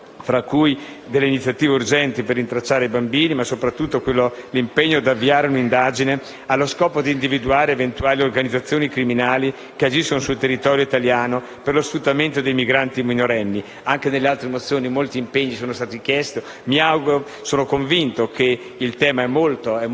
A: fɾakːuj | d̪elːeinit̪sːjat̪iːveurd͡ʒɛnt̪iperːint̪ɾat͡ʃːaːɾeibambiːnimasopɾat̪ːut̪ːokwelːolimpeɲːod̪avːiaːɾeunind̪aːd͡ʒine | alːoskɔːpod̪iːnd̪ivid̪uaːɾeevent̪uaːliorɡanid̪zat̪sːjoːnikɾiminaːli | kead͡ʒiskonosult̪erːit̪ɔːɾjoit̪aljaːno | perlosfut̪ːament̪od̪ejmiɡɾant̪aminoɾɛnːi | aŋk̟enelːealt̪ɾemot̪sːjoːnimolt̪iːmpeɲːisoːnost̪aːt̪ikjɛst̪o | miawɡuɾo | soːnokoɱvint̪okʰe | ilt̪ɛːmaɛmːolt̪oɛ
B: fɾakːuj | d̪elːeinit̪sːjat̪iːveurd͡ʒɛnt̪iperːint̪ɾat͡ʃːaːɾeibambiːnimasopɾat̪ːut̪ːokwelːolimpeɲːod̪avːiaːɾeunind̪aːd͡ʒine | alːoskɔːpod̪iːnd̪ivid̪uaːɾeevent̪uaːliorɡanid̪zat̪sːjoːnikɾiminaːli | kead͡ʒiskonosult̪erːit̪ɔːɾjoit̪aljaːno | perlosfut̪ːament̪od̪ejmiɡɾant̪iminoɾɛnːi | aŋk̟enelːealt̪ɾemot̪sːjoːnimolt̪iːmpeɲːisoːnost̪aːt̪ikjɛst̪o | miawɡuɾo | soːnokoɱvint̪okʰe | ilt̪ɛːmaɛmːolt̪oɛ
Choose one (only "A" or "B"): B